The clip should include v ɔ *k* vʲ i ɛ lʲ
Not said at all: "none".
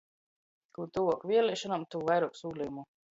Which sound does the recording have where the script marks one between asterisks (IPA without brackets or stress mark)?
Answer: k